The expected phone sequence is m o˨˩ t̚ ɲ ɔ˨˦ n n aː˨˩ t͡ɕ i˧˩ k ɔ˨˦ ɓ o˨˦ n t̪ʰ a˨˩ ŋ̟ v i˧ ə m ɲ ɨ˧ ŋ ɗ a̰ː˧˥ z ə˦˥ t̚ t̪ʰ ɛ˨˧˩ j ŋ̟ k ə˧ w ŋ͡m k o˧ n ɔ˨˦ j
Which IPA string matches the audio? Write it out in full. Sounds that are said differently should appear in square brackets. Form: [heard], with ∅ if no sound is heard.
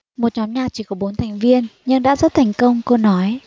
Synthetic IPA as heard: m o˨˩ t̚ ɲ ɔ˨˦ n [ɲ] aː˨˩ t͡ɕ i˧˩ k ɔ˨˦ ɓ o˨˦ n t̪ʰ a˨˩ ŋ̟ v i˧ ə [n] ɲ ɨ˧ ŋ ɗ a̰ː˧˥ z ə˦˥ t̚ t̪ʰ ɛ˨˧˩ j ŋ̟ k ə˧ w ŋ͡m k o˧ n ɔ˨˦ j